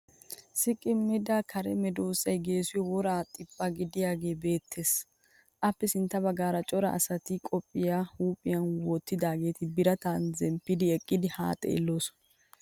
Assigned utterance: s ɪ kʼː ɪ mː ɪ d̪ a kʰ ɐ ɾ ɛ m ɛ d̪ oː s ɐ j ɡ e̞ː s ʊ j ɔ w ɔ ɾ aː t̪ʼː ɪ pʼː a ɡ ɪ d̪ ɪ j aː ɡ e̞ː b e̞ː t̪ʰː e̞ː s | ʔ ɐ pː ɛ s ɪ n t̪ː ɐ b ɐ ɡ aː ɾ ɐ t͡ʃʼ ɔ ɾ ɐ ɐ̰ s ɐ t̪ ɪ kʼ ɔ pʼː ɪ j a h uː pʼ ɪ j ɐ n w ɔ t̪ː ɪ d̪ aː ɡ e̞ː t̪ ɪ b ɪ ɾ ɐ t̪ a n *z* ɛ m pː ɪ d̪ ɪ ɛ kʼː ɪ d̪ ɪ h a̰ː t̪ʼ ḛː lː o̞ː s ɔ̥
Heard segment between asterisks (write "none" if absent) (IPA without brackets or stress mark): z